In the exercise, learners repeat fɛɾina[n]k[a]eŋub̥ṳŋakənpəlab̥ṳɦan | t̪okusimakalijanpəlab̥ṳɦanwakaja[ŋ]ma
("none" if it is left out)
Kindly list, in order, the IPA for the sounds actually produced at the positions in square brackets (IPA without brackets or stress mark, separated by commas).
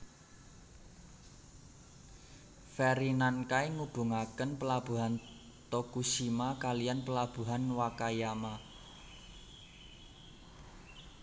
n, a, none